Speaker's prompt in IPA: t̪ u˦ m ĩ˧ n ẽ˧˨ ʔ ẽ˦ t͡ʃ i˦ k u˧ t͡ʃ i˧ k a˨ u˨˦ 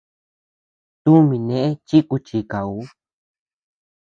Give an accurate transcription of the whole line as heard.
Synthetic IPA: t̪ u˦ m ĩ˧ n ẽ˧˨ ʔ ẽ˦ t͡ʃ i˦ k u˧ t͡ʃ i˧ k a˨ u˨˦